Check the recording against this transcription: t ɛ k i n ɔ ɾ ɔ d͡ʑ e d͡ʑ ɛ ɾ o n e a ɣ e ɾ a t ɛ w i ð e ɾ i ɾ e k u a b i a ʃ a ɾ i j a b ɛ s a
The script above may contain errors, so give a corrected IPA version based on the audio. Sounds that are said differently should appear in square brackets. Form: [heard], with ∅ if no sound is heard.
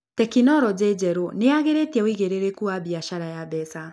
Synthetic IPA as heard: t ɛ k i n ɔ ɾ ɔ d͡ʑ e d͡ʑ ɛ ɾ o n e a ɣ e ɾ [e] t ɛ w i [ɣ] e ɾ [e] ɾ e k u a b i a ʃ a ɾ [a] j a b ɛ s a